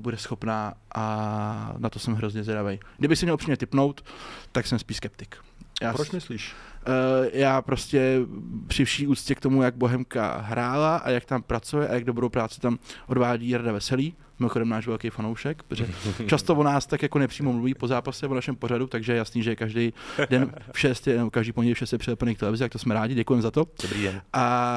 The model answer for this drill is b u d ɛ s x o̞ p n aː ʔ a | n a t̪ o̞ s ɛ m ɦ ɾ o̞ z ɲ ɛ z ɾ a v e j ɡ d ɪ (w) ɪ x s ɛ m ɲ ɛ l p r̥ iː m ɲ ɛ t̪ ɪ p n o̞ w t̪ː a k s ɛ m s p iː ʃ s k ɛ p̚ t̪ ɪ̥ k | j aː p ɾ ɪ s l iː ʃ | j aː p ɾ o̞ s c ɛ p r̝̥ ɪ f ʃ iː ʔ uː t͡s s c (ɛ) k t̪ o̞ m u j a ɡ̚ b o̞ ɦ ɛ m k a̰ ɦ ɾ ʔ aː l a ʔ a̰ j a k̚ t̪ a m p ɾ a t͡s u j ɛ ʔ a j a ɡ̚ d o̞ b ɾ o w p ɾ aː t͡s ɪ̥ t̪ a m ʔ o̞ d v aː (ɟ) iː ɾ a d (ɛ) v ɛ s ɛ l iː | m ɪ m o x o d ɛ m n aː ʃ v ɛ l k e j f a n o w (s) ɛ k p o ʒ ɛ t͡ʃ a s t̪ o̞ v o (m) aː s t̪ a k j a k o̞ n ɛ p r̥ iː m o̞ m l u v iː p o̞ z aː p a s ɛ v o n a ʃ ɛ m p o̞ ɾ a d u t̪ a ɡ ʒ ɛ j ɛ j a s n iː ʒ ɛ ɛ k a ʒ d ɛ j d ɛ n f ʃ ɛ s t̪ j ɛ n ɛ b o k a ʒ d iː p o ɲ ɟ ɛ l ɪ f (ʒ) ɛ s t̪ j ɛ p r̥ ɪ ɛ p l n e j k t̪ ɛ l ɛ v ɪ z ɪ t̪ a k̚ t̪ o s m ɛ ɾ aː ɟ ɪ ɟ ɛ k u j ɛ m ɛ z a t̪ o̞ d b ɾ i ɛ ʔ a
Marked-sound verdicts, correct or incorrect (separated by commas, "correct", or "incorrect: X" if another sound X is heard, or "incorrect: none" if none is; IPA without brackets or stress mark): incorrect: b, correct, correct, incorrect: a, incorrect: ʃ, incorrect: n, incorrect: ʃ